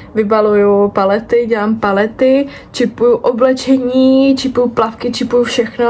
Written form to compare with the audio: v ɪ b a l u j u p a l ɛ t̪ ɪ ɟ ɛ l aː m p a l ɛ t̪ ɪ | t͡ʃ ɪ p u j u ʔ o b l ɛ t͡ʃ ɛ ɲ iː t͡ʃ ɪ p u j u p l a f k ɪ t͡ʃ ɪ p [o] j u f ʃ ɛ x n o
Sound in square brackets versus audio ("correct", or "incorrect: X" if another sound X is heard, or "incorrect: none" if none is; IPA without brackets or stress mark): incorrect: u